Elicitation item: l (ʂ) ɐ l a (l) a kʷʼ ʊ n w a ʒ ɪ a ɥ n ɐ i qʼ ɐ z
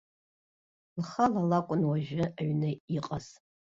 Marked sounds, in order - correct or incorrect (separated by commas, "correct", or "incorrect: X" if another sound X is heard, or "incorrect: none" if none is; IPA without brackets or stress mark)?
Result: incorrect: χ, correct